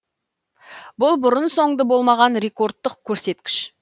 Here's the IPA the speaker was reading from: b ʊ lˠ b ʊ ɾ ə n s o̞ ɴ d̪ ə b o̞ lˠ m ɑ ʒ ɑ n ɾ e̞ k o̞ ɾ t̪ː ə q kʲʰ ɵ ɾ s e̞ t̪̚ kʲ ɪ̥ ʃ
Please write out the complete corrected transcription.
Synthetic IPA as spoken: b ʊ lˠ b ʊ ɾ ə n s o̞ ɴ d̪ ə b o̞ lˠ m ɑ ʁ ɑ n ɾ e̞ k o̞ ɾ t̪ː ə q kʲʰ ɵ ɾ s e̞ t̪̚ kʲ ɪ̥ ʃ